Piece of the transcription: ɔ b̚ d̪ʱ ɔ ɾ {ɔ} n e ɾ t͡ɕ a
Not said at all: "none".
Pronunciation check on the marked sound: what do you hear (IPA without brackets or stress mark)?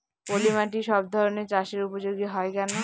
o